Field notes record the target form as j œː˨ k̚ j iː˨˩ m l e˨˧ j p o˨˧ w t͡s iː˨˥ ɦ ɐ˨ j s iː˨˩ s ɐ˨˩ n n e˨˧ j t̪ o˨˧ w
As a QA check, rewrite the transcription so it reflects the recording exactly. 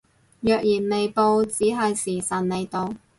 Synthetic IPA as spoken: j œː˨ k̚ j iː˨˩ n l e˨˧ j p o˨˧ w t͡s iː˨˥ ɦ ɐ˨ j s iː˨˩ s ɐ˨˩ n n e˨˧ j t̪ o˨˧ w